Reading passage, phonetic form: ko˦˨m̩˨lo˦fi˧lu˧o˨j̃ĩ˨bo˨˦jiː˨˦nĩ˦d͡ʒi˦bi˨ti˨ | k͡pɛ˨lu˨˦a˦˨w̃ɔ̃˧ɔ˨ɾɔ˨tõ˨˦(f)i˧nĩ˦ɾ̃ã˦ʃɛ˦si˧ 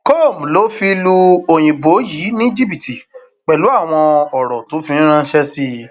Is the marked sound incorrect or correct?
correct